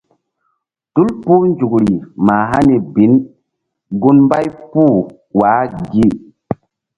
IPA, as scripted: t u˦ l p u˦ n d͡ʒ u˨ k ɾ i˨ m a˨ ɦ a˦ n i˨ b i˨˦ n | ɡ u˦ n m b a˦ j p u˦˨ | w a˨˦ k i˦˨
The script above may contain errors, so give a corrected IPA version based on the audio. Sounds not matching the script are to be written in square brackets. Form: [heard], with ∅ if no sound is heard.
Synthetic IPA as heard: t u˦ l p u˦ n d͡ʒ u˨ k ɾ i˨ m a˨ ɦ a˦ n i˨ b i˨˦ n | ɡ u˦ n m b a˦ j p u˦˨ | w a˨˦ [ɡ] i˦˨